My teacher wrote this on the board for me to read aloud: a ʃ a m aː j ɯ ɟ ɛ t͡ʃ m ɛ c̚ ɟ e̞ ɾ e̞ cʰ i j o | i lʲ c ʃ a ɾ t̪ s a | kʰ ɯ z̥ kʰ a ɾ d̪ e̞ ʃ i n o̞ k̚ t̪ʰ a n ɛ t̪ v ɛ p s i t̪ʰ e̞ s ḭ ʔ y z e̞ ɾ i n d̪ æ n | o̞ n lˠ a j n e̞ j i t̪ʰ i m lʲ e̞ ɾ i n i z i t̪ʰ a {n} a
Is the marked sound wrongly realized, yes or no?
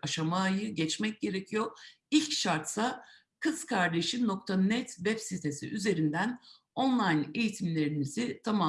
yes